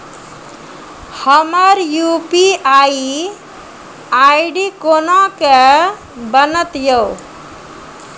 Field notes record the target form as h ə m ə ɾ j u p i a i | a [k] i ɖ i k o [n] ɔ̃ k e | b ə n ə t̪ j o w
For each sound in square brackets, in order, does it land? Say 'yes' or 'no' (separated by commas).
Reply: no, yes